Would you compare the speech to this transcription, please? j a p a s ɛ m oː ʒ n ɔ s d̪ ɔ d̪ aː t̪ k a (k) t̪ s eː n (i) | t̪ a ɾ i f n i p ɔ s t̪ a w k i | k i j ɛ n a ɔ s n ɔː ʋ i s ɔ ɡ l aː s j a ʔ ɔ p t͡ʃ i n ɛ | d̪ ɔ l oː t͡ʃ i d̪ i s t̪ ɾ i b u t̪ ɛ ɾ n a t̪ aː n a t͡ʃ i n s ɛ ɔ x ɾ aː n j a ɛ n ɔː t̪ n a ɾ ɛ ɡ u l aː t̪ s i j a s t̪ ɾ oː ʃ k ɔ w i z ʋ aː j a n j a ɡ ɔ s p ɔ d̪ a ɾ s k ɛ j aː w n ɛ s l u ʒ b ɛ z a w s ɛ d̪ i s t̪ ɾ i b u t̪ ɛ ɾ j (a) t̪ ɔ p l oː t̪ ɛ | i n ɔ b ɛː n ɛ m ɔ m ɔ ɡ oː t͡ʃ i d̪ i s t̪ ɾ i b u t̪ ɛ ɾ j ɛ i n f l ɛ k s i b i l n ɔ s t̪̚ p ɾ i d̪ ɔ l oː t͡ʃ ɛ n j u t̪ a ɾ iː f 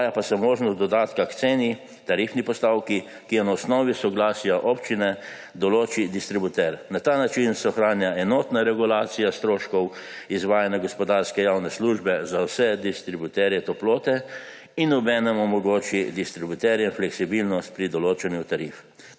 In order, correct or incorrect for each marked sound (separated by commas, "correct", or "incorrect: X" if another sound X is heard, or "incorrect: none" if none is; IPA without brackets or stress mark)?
correct, correct, incorrect: ɛ